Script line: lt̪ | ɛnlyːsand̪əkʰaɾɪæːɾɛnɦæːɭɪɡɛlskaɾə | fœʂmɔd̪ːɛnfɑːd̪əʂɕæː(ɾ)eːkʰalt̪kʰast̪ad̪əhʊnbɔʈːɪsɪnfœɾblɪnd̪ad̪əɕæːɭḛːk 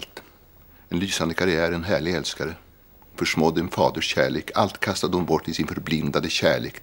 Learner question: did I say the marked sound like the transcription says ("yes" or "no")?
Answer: no